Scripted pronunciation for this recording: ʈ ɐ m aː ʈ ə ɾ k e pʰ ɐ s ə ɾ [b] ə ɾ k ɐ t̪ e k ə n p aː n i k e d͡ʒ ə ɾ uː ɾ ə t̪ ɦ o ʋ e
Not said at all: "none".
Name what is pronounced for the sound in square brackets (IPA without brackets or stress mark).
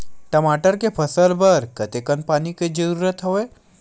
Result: b